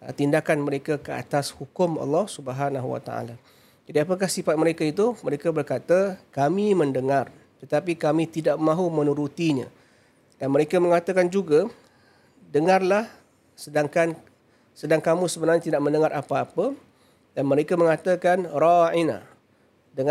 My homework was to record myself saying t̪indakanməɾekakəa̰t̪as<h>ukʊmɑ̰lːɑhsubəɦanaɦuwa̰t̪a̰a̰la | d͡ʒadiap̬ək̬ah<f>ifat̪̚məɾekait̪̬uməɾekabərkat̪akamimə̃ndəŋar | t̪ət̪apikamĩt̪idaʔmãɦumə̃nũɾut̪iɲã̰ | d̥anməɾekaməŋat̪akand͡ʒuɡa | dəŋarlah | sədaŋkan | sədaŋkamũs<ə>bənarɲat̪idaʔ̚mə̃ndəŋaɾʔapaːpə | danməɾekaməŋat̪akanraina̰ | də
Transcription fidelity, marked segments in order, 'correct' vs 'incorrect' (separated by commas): correct, incorrect, correct